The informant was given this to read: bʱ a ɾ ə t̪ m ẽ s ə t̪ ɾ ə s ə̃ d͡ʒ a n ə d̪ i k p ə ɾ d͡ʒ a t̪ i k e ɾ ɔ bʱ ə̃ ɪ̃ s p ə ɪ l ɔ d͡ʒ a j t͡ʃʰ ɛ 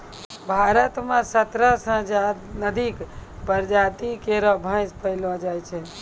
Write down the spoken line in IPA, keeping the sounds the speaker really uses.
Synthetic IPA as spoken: bʱ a ɾ ə t̪ m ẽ s ə t̪ ɾ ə s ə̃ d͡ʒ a n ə d̪ i k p ə ɾ d͡ʒ a t̪ i k e ɾ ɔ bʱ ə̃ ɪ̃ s p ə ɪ l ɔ d͡ʒ a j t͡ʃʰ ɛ